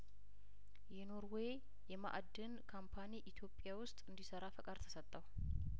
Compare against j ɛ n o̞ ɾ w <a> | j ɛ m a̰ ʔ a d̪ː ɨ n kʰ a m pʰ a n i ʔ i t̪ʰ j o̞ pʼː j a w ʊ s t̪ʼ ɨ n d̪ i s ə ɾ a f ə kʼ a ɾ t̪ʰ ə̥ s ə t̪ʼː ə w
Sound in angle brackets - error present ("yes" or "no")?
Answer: yes